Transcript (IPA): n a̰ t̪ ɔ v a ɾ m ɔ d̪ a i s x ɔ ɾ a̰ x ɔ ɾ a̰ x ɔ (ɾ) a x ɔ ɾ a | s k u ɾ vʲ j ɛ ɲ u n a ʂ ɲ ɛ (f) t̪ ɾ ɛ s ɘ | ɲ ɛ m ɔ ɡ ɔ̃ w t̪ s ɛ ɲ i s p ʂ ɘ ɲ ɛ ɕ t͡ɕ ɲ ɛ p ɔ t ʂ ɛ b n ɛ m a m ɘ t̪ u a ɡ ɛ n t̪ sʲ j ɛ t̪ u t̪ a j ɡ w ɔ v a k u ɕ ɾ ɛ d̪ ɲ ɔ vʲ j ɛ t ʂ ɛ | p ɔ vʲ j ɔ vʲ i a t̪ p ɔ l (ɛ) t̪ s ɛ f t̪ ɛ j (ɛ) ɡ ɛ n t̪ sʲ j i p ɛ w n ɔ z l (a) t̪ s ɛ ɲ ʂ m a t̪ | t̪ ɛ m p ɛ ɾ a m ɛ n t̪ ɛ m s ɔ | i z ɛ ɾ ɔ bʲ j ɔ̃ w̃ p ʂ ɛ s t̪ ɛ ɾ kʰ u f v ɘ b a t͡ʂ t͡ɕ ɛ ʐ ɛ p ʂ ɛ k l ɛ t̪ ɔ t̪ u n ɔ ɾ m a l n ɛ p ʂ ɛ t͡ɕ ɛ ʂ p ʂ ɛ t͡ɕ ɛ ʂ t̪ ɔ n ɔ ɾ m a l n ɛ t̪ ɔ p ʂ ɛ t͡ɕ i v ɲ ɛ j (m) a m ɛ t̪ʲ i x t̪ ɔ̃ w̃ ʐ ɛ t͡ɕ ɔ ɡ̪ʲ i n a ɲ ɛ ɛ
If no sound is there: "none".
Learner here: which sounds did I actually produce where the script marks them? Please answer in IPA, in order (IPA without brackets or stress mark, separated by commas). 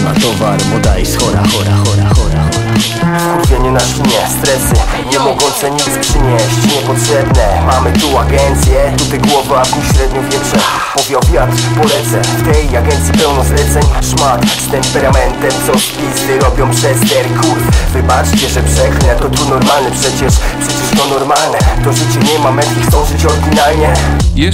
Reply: ɾ, s, ɛ, a, ɛ, m